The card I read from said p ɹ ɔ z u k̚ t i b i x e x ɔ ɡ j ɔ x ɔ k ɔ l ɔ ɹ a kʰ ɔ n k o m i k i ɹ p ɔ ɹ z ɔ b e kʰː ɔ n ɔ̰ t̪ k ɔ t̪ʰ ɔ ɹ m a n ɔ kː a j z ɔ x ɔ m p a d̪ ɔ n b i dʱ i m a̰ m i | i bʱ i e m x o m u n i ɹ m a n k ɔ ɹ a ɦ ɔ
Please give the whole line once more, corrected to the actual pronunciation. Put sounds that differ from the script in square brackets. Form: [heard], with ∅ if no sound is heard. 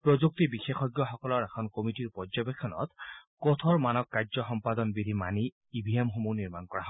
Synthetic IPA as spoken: p ɹ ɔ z u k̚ t i b i x e x ɔ ɡ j ɔ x ɔ k ɔ l ɔ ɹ [ɛ] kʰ ɔ n k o m i [t] i ɹ p ɔ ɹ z ɔ b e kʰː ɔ n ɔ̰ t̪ k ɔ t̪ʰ ɔ ɹ m a n ɔ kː a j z ɔ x ɔ m p a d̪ ɔ n b i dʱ i m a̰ [n] i | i bʱ i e m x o m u n i ɹ m a n k ɔ ɹ a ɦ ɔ